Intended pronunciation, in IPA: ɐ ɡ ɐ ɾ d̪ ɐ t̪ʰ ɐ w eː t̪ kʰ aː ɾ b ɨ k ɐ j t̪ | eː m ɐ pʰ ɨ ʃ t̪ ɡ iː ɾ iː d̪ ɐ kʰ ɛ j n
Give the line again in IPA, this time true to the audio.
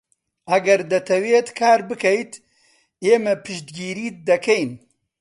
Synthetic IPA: ɐ ɡ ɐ ɾ d̪ ɐ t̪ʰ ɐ w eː t̪ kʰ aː ɾ b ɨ k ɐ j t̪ | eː m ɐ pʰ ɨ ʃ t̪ ɡ iː ɾ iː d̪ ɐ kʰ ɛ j n

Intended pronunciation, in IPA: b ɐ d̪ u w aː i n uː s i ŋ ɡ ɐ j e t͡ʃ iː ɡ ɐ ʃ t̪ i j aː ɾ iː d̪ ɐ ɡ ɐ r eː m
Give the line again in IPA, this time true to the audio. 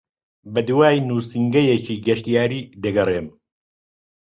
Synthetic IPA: b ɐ d̪ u w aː j n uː s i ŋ ɡ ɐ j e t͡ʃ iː ɡ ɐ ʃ t̪ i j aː ɾ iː d̪ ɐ ɡ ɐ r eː m

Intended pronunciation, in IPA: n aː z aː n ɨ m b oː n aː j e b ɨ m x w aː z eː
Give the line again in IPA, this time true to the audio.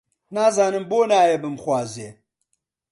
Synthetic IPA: n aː z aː n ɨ m b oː n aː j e b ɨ m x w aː z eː

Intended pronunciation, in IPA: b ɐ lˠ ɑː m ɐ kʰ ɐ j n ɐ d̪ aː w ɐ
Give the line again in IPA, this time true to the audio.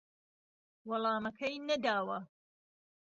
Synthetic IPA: w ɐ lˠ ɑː m ɐ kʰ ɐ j n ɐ d̪ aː w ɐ

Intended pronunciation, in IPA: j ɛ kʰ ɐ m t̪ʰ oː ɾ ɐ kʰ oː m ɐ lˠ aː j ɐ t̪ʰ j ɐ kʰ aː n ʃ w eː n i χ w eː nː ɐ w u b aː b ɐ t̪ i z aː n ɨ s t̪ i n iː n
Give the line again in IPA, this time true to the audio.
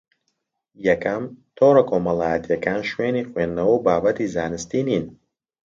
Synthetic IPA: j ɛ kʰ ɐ m t̪ʰ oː ɾ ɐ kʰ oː m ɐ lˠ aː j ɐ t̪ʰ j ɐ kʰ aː n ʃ w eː n i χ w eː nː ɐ w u b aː b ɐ t̪ i z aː n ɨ s t̪ i n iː n

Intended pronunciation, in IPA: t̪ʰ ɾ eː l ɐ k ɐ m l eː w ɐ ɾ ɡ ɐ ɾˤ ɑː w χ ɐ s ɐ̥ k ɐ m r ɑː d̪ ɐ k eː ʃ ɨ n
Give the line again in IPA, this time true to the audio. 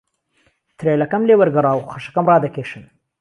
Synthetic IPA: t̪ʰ ɾ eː l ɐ k ɐ m l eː w ɐ ɾ ɡ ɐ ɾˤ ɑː w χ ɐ ʃ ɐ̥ k ɐ m r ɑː d̪ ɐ k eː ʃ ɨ n

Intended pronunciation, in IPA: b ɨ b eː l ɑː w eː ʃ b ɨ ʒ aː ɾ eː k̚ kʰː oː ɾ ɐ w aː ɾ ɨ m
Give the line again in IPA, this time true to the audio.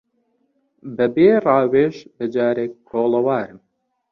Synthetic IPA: b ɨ b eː r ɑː w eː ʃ b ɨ d͡ʒ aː ɾ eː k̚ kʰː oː l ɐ w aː ɾ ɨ m

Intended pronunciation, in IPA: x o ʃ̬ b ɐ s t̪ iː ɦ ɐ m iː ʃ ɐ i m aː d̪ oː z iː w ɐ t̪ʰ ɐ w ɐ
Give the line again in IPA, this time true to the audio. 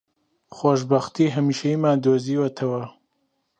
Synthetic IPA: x o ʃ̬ b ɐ x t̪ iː ɦ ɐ m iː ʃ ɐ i m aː d̪ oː z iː w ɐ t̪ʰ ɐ w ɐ

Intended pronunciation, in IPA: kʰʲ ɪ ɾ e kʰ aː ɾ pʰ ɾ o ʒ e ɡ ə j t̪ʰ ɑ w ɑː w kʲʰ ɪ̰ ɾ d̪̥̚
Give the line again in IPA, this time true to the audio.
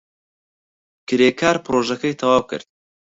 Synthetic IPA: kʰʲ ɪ ɾ e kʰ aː ɾ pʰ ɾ o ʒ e k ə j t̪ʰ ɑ w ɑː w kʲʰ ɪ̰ ɾ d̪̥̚

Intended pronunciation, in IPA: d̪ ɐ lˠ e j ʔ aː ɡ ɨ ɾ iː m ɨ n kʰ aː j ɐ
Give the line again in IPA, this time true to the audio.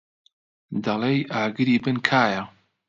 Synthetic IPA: d̪ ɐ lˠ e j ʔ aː ɡ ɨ ɾ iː b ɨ n kʰ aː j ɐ

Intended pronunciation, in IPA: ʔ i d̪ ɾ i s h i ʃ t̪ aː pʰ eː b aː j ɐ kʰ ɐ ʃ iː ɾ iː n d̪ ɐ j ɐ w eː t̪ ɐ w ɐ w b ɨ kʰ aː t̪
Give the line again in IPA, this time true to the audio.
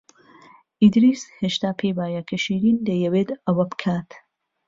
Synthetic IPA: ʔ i d̪ ɾ i s h e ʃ t̪ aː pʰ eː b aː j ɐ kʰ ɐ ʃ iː ɾ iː n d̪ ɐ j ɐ w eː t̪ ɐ w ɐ b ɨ kʰ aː t̪

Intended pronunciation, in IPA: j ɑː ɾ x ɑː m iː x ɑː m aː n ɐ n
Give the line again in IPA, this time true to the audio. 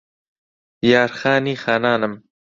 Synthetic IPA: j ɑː ɾ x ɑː n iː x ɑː n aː n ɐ m

